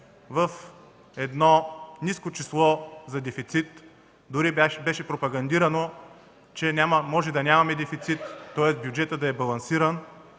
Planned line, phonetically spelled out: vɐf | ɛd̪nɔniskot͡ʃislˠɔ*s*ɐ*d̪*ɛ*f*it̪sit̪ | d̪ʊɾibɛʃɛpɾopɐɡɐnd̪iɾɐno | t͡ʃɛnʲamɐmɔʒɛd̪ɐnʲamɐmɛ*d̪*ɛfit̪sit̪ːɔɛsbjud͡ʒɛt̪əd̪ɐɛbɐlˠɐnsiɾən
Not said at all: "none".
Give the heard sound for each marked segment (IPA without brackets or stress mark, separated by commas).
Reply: z, d̪, f, d̪